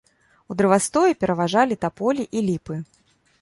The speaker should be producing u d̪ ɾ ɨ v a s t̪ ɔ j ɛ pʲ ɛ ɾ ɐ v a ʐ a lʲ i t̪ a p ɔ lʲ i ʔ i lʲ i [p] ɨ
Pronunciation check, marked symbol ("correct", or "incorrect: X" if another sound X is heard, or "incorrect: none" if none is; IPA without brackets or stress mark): correct